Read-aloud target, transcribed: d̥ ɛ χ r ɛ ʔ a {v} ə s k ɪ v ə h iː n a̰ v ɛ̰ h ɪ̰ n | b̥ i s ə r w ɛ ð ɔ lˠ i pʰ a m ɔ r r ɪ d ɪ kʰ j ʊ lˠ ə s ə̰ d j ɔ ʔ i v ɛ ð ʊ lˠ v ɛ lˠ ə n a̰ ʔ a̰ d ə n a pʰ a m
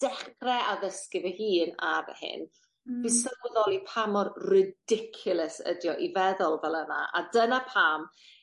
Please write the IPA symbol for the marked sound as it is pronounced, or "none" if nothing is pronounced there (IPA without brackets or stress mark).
ð